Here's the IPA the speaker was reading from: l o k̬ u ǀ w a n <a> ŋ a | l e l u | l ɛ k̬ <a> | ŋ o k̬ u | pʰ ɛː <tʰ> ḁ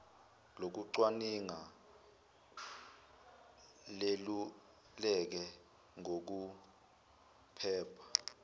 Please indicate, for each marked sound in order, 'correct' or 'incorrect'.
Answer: incorrect: i, incorrect: ɛ, incorrect: pʰ

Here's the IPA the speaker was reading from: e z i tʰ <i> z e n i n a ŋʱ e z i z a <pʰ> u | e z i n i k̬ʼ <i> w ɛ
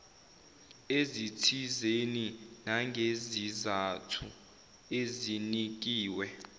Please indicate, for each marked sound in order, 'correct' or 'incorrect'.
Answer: correct, incorrect: tʰ, incorrect: iː

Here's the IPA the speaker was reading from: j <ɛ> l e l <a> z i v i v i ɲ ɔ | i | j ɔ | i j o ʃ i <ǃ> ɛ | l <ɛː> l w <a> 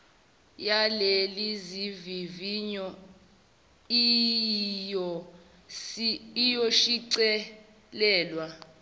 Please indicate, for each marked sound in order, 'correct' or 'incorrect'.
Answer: incorrect: a, incorrect: i, incorrect: ǀ, correct, correct

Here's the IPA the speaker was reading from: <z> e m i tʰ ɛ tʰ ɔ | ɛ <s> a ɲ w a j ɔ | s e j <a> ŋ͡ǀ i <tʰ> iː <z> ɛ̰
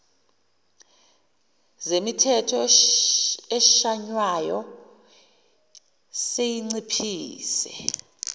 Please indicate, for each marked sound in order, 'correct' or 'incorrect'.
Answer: correct, incorrect: ʃ, incorrect: i, incorrect: pʰ, incorrect: s

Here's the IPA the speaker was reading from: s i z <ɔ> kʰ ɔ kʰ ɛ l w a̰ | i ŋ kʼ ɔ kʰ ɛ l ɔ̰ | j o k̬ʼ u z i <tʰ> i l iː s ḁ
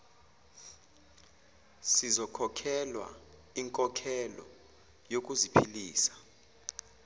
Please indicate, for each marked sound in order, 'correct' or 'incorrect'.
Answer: correct, incorrect: pʰ

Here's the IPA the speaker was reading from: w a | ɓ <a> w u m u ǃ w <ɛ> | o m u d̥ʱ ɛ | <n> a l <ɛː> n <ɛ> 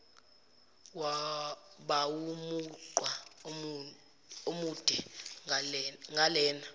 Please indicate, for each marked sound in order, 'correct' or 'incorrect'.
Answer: correct, incorrect: a, incorrect: ŋ, correct, incorrect: a

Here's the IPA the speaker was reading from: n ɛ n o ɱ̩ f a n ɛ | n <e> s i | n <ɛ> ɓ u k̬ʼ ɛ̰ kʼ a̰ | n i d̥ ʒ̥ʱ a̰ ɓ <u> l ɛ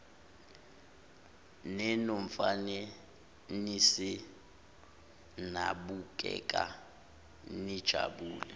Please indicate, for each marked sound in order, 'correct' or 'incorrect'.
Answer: incorrect: i, incorrect: a, incorrect: uː

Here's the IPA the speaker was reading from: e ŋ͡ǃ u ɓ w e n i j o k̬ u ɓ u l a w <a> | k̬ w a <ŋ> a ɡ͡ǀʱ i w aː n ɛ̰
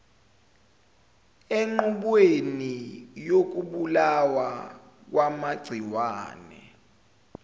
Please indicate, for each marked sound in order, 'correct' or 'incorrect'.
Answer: correct, incorrect: m

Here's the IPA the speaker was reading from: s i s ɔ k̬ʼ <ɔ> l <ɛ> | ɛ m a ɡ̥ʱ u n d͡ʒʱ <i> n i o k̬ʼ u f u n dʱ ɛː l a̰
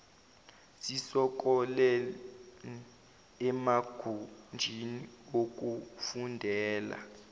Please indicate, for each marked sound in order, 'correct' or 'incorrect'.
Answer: correct, correct, correct

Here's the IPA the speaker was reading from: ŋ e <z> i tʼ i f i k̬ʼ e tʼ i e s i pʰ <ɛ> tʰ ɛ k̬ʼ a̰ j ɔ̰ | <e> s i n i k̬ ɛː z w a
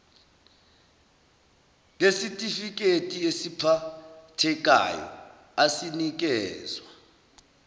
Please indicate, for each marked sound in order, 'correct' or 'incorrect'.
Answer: incorrect: s, incorrect: a, incorrect: a

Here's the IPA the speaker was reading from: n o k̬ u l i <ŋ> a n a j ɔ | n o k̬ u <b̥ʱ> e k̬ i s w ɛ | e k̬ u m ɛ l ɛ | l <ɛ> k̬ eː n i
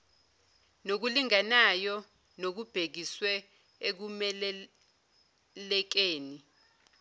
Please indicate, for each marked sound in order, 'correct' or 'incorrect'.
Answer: correct, correct, correct

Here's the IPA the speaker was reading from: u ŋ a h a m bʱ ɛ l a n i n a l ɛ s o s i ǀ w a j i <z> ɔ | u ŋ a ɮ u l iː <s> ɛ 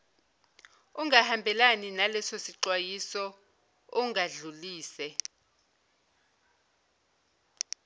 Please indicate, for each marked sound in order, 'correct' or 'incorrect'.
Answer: incorrect: s, correct

